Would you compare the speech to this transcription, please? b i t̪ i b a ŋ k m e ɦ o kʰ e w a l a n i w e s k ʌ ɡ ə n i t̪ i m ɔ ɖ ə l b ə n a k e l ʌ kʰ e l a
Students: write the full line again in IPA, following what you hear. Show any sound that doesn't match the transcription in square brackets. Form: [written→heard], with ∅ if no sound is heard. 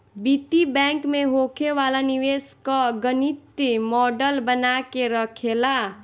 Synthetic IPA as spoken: b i t̪ i b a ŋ k m e ɦ o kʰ e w a l a n i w e s k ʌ ɡ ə n i t̪ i m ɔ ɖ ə l b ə n a k e [l→ɾ] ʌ kʰ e l a